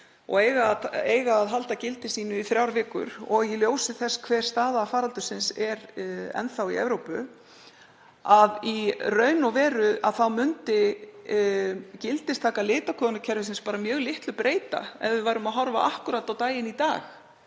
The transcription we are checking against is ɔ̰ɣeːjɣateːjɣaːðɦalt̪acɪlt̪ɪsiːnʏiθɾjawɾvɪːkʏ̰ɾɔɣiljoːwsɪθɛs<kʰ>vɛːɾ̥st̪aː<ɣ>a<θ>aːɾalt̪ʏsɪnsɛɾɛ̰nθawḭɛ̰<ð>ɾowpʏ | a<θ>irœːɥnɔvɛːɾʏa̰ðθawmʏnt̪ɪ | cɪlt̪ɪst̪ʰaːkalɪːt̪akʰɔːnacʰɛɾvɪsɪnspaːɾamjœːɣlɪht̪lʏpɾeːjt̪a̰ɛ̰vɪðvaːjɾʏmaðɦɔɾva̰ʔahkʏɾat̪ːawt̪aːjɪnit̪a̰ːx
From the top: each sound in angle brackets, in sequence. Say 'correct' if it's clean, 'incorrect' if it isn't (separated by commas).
correct, incorrect, incorrect, incorrect, incorrect